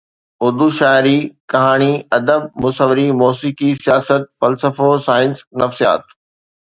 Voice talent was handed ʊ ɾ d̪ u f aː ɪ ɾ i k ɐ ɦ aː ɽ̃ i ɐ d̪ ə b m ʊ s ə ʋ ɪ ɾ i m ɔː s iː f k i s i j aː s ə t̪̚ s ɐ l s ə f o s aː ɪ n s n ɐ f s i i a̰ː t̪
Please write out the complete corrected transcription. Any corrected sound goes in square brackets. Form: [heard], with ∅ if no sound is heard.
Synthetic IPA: ʊ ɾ d̪ u [ʃ] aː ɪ ɾ i k ɐ ɦ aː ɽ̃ i ɐ d̪ ə b m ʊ s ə ʋ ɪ ɾ i m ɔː s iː [∅] k i s i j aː s ə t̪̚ [f] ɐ l s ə f o s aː ɪ n s n ɐ f s i [j] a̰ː t̪